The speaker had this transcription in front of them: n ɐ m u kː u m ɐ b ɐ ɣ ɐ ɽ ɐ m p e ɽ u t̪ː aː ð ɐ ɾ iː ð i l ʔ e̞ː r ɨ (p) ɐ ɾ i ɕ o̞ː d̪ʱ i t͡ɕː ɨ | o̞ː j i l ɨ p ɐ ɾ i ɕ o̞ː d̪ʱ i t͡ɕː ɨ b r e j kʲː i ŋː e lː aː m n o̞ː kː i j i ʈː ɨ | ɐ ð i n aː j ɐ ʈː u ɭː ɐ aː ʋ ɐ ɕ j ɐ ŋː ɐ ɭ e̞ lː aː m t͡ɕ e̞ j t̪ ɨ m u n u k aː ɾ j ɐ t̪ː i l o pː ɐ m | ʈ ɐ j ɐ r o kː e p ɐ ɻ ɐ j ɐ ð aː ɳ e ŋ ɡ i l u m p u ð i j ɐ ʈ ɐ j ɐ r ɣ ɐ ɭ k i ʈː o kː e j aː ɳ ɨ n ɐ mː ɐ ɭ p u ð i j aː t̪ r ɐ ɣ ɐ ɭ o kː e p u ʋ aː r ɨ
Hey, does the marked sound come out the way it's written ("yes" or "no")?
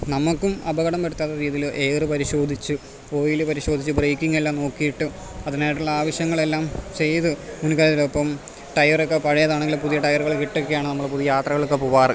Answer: yes